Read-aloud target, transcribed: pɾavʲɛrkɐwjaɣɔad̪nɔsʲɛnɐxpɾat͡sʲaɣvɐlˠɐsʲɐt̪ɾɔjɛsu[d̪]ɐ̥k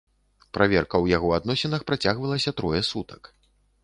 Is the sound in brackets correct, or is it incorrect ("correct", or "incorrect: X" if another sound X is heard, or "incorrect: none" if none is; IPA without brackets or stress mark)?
incorrect: t̪